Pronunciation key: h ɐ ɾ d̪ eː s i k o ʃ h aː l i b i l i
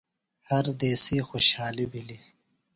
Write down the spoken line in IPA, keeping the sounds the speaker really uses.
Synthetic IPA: h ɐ ɾ d̪ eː s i x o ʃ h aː l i b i l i